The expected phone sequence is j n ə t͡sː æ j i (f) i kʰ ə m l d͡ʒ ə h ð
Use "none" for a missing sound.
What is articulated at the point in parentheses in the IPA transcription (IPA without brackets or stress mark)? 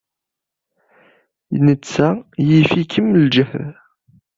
f